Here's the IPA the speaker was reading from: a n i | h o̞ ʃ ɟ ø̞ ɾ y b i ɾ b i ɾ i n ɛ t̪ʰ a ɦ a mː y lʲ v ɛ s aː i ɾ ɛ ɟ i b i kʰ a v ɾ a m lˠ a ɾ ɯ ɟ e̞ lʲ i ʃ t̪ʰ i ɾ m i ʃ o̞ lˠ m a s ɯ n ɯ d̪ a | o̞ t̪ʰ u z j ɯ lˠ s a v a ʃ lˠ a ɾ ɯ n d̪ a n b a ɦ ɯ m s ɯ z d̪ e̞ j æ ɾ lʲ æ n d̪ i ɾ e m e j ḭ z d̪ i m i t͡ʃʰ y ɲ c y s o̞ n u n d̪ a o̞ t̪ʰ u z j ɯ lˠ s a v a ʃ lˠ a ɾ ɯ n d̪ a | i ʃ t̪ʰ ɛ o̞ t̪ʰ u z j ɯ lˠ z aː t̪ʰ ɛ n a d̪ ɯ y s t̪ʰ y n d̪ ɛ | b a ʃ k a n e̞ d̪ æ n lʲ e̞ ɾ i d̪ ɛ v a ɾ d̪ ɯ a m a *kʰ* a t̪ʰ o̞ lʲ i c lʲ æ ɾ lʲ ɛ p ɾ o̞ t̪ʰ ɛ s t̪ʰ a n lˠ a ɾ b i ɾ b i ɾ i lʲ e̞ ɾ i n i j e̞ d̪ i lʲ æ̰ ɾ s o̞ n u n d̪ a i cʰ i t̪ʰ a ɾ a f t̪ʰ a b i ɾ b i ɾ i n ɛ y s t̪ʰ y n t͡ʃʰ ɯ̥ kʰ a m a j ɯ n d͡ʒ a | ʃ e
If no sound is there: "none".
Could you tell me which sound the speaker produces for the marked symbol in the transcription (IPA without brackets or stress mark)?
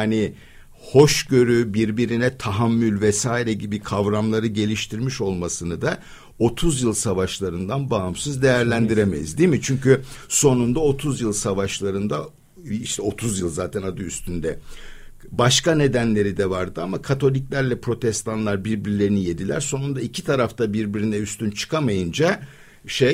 kʰ